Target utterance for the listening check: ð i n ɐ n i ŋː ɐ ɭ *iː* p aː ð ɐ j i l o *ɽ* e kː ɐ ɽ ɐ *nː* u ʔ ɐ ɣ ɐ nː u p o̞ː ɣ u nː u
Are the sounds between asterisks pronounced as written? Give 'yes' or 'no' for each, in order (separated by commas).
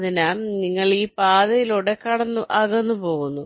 yes, yes, yes